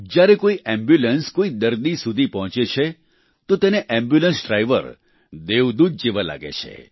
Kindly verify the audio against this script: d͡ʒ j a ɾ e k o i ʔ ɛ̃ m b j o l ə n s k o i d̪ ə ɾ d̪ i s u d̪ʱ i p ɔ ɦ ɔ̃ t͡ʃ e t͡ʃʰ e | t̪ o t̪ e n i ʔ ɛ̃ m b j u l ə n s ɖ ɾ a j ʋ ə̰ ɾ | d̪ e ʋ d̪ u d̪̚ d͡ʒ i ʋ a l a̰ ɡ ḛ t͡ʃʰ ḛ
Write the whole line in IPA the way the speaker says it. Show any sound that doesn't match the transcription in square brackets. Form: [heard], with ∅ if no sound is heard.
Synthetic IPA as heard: d͡ʒ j a ɾ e k o i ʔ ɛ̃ m b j [u] l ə n s k o i d̪ ə ɾ d̪ i s u d̪ʱ i p ɔ ɦ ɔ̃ t͡ʃ e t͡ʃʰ e | t̪ o t̪ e n [e] ʔ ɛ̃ m b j u l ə n s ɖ ɾ a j ʋ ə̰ ɾ | d̪ e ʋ d̪ u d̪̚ d͡ʒ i ʋ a l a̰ ɡ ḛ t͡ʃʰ ḛ